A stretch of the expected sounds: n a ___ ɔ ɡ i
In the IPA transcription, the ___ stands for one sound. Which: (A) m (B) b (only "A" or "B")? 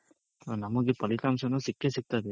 A